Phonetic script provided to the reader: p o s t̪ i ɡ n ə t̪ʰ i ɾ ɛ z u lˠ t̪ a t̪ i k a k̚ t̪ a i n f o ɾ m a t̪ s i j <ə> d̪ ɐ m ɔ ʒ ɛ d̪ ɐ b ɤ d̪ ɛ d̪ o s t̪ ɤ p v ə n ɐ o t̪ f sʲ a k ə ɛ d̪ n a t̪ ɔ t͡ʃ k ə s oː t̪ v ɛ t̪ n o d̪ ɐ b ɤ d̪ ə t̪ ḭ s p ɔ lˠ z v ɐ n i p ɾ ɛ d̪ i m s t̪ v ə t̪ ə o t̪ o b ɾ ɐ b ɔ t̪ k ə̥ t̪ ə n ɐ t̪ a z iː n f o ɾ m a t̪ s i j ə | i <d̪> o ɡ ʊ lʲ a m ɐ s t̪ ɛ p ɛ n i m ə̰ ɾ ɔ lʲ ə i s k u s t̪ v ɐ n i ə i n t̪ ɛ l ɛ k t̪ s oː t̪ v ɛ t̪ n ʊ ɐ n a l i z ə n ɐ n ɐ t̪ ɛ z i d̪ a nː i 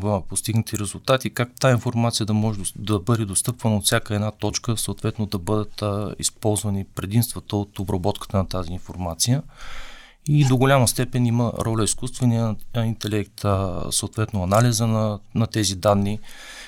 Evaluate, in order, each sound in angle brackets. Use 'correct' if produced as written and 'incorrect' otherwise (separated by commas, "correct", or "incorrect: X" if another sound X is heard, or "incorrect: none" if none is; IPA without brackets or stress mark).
correct, correct